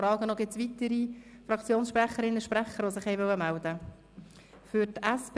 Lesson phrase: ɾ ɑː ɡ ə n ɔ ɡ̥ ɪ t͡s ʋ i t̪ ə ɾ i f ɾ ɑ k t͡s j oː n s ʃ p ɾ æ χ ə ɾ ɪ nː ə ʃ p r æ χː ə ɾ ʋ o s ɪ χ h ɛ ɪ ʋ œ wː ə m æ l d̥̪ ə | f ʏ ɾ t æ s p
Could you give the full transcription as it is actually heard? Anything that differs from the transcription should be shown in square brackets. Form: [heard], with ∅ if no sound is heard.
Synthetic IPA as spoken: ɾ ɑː ɡ ə n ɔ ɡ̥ ɪ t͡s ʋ i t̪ ə ɾ i f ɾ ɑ k t͡s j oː n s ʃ p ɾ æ χ ə ɾ ɪ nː ə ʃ p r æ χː ə ɾ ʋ o s ɪ χ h ɛ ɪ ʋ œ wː ə m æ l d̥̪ ə | f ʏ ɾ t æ s p